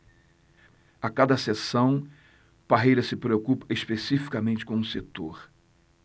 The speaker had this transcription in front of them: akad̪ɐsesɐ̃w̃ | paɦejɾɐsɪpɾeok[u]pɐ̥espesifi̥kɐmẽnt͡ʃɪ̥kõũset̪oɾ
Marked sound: correct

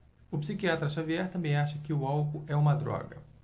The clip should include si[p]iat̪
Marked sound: incorrect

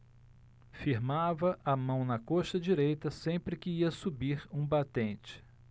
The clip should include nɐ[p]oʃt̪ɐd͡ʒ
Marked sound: incorrect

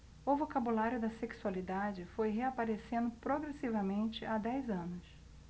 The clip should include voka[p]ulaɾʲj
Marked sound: incorrect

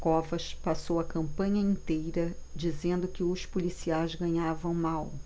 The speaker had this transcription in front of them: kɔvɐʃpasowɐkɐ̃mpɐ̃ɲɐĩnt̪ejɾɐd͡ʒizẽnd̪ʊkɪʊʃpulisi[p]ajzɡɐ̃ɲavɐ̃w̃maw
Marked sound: incorrect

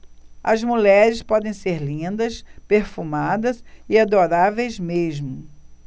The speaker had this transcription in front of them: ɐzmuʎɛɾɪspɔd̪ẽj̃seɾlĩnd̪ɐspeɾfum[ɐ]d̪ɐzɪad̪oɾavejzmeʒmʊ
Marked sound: incorrect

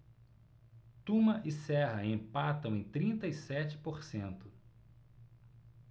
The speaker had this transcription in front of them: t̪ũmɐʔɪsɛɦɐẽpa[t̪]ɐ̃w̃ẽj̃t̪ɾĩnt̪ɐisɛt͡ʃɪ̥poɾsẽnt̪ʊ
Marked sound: correct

